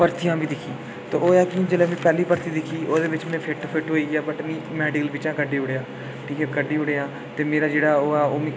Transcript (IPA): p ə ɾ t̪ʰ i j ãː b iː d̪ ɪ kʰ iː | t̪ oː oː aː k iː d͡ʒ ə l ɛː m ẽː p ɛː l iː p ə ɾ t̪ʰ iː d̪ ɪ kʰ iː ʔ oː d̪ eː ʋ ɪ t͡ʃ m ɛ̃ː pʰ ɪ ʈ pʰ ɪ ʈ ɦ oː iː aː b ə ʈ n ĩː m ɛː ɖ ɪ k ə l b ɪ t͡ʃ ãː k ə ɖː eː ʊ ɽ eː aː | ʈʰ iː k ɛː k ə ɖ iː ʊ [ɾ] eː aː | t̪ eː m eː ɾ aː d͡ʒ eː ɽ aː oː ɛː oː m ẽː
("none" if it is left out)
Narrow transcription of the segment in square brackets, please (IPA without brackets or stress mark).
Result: ɽ